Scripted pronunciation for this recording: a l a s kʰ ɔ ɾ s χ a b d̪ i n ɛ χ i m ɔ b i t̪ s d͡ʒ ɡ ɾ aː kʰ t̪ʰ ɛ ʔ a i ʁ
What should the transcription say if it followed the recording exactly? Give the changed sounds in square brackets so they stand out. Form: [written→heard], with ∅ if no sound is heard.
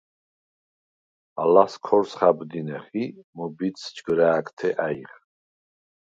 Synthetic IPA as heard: a l a s kʰ ɔ ɾ s χ a b d̪ i n ɛ χ i m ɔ b i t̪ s d͡ʒ ɡ ɾ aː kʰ t̪ʰ ɛ ʔ a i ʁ